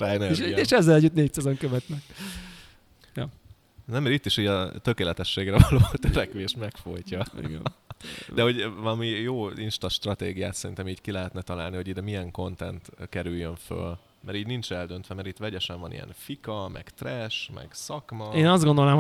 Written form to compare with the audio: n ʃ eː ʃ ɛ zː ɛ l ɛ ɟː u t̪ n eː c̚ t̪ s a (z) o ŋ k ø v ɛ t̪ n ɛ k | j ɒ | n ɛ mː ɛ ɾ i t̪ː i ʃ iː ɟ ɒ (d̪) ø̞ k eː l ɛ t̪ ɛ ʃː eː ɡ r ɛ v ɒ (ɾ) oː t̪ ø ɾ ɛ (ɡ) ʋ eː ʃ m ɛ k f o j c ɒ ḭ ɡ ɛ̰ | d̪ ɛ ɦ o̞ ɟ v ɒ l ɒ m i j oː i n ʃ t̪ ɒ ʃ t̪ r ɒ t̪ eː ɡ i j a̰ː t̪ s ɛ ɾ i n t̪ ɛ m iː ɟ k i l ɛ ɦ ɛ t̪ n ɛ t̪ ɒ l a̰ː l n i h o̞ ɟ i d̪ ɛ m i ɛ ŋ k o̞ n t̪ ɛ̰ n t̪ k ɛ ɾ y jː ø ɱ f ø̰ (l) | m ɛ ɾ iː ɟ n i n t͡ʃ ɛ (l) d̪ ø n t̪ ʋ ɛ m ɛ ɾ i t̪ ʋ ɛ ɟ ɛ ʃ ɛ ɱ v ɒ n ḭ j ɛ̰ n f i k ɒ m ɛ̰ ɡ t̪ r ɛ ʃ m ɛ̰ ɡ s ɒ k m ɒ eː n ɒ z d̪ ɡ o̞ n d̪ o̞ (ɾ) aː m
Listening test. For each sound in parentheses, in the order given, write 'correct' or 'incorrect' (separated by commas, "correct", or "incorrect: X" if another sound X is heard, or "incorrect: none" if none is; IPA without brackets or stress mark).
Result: correct, incorrect: t̪, incorrect: l, incorrect: k, correct, correct, incorrect: l